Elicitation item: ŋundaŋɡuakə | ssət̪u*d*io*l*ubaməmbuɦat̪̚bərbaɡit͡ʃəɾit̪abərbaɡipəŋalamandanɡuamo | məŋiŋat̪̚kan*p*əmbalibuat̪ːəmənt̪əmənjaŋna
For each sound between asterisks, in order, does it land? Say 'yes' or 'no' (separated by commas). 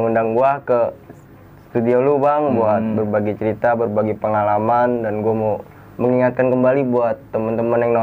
yes, yes, no